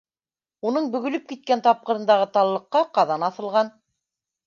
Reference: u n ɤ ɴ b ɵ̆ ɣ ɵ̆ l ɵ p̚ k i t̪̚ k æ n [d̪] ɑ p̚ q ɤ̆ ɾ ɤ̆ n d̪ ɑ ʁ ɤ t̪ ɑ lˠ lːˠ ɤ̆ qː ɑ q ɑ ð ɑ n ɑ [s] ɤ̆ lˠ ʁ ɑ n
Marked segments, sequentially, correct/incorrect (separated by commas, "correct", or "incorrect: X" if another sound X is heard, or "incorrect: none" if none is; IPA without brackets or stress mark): incorrect: t̪, incorrect: θ